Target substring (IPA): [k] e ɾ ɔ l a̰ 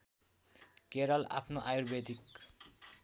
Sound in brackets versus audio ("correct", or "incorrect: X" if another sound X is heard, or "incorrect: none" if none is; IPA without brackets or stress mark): correct